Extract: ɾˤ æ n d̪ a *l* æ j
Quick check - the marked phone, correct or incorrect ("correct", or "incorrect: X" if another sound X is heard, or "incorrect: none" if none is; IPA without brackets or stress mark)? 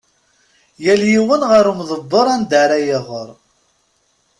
incorrect: ɾ